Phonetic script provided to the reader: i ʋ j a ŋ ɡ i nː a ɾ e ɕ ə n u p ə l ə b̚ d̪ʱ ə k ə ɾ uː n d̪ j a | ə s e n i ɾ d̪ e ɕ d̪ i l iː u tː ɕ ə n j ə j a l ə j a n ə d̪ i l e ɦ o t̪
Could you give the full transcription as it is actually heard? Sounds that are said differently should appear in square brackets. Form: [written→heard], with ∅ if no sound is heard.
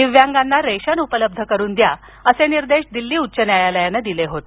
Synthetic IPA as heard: i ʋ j a ŋ ɡ [i→a] nː a ɾ e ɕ ə n u p ə l ə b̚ d̪ʱ ə k ə ɾ uː n d̪ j a | ə s e n i ɾ d̪ e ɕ d̪ i [l→lː] iː u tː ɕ ə n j [ə→a] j a l ə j a n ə d̪ i l e ɦ o t̪